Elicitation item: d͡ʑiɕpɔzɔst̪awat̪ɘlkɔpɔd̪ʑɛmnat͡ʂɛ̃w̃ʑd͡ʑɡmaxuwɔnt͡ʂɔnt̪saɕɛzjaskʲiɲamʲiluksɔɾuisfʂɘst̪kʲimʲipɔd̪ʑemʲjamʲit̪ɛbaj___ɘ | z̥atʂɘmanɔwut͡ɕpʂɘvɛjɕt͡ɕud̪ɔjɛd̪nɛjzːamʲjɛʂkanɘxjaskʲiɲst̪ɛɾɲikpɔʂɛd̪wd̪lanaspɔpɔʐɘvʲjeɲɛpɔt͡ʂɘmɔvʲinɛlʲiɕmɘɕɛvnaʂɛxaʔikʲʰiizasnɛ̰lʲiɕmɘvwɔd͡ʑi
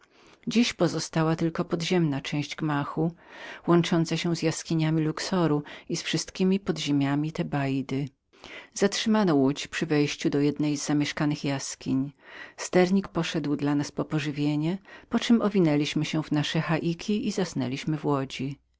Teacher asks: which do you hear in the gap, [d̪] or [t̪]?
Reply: d̪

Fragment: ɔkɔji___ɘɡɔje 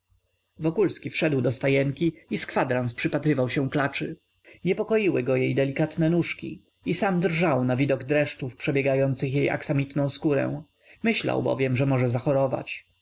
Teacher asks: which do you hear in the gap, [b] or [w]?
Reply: w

